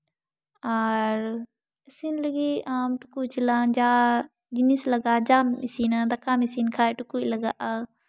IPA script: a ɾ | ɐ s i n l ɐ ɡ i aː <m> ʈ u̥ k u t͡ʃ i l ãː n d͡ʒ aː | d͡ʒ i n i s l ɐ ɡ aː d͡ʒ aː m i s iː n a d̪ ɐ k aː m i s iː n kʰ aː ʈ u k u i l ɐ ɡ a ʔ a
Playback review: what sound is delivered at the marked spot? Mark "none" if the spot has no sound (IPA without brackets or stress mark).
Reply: m